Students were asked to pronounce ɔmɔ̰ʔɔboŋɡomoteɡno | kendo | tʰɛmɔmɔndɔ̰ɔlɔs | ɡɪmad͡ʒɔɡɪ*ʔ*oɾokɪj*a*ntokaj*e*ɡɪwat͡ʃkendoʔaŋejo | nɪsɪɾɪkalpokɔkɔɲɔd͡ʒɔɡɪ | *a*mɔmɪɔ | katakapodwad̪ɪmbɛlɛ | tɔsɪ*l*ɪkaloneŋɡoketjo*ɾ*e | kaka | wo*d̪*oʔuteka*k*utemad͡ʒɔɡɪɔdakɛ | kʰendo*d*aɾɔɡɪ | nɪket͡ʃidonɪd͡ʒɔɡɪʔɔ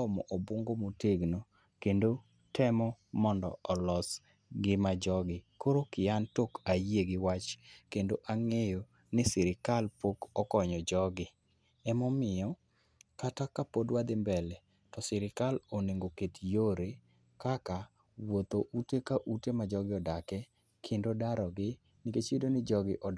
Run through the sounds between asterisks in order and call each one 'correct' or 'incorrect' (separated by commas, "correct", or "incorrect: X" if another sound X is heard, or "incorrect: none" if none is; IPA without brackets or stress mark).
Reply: incorrect: k, correct, correct, incorrect: ɛ, incorrect: ɾ, correct, incorrect: t̪, incorrect: ʔ, correct